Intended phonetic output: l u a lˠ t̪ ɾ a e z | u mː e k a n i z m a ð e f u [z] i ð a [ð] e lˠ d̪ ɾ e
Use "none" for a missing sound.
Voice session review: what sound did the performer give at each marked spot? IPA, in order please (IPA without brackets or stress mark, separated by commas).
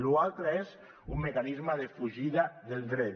ʒ, ð